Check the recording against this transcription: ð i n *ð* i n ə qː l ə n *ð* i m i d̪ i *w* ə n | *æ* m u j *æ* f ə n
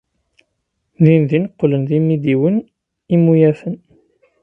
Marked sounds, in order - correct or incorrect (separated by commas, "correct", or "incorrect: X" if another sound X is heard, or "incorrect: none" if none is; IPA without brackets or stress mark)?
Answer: correct, correct, correct, incorrect: i, correct